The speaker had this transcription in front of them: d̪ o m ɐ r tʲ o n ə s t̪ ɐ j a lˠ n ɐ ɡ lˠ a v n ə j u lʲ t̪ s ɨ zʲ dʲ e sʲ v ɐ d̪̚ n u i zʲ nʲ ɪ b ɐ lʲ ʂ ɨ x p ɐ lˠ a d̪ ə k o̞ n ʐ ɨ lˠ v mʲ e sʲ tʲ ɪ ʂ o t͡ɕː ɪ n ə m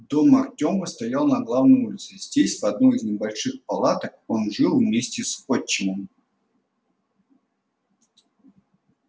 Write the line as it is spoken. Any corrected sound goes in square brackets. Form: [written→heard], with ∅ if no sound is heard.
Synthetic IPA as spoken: d̪ o m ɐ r tʲ o [n→m] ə s t̪ ɐ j a lˠ n ɐ ɡ lˠ a v n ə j u lʲ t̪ s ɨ zʲ dʲ e sʲ v ɐ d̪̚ n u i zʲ nʲ ɪ b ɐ lʲ ʂ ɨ x p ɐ lˠ a [d̪→t̪] ə k o̞ n ʐ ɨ lˠ v mʲ e sʲ tʲ ɪ [ʂ→s] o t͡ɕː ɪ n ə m